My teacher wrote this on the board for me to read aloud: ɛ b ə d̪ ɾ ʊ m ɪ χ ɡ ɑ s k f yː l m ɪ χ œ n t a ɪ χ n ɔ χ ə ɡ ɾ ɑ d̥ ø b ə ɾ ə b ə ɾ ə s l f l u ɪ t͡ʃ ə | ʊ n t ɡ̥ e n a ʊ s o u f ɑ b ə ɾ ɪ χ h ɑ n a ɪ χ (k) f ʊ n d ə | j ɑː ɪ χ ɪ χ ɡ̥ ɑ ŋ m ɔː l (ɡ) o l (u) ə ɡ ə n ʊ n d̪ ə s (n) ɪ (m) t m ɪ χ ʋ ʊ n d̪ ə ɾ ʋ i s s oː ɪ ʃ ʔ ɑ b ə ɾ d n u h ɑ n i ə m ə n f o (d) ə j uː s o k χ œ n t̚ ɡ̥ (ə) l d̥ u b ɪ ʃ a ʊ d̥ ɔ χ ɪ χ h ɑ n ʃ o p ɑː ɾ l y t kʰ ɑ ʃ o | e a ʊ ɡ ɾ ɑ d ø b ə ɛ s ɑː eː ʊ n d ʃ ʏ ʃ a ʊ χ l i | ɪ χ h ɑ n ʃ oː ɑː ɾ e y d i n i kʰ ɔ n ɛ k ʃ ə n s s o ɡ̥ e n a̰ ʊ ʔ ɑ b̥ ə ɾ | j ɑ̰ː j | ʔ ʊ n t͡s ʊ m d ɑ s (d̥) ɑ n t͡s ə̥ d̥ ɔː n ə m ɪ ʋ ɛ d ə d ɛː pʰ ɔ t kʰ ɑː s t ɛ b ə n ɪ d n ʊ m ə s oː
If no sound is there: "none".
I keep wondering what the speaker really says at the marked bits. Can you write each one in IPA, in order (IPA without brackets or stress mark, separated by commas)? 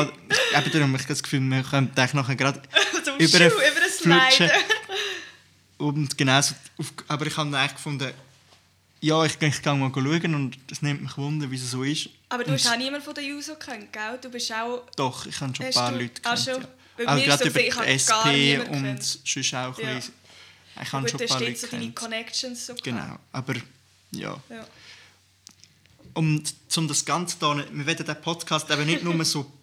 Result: k, ɡ, u, n, m, d, a, ɡ̥